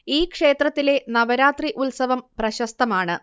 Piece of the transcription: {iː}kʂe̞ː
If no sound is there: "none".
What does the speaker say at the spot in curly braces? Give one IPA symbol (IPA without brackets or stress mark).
iː